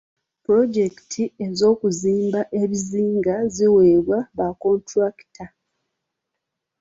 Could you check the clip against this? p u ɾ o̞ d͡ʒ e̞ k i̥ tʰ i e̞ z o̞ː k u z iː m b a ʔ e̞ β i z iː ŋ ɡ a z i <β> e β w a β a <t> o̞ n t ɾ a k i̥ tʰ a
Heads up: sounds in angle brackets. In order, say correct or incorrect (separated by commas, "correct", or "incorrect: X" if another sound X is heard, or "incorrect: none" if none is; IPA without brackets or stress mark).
incorrect: w, incorrect: k